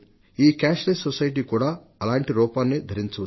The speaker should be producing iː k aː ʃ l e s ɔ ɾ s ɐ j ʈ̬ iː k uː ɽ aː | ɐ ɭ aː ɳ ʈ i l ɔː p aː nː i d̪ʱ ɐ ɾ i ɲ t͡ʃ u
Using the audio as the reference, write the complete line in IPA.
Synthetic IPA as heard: iː k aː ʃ l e s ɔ s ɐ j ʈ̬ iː k uː ɽ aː | ɐ l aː ɳ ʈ i ɾ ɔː p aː nː i d̪ʱ ɐ ɾ i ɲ t͡ʃ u